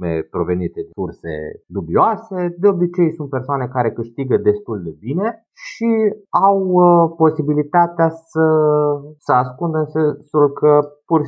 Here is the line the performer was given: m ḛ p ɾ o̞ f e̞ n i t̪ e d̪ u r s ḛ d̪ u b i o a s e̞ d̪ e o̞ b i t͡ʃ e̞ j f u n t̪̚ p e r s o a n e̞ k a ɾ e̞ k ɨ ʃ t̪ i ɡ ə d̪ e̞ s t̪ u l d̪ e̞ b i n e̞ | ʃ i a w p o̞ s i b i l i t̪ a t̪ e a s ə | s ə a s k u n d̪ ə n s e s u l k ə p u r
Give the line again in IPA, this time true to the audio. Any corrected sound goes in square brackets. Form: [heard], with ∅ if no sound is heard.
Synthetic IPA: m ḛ p ɾ o̞ [v] e̞ n i t̪ e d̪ u r s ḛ d̪ u b i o a s e̞ d̪ e o̞ b i t͡ʃ e̞ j [s] u n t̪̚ p e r s o a n e̞ k a ɾ e̞ k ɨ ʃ t̪ i ɡ ə d̪ e̞ s t̪ u l d̪ e̞ b i n e̞ | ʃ i a w p o̞ s i b i l i t̪ a t̪ e a s ə | s ə a s k u n d̪ ə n s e s u l k ə p u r